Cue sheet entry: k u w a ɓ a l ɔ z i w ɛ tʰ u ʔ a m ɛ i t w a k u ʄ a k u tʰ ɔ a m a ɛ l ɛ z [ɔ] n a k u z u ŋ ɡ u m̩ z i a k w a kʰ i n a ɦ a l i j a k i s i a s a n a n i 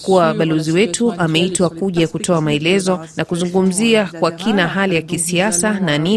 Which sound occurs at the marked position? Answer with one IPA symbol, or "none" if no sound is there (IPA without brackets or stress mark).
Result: ɔ